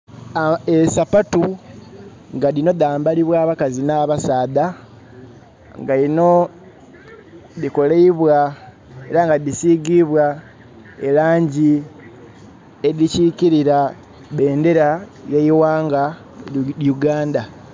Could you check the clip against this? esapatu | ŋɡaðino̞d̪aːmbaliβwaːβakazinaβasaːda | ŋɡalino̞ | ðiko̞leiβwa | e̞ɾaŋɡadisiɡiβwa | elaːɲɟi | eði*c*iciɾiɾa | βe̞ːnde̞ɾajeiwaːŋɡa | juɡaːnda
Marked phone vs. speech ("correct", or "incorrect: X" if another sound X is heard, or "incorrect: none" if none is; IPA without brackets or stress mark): correct